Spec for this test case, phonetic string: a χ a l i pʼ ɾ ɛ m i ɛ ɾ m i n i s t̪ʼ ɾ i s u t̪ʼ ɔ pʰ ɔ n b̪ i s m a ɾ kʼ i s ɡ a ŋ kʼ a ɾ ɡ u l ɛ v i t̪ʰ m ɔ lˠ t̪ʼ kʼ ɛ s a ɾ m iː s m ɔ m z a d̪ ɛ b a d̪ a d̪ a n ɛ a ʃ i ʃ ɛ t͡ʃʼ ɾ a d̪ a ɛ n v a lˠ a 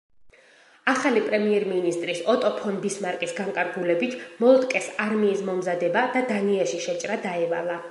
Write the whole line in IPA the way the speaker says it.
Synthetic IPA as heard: a χ a l i pʼ ɾ ɛ m i ɛ ɾ m i n i s t̪ʼ ɾ i s ɔ t̪ʼ ɔ pʰ ɔ n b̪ i s m a ɾ kʼ i s ɡ a ŋ kʼ a ɾ ɡ u l ɛ b i t̪ʰ m ɔ lˠ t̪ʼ kʼ ɛ s a ɾ m iː s m ɔ m z a d̪ ɛ b a d̪ a d̪ a n i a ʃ i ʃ ɛ t͡ʃʼ ɾ a d̪ a ɛ v a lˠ a